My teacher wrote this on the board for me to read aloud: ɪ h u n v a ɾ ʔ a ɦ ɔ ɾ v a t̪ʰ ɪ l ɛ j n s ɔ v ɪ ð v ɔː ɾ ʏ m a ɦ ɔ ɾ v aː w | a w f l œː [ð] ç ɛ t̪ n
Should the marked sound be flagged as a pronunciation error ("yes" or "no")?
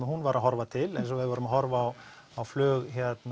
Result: yes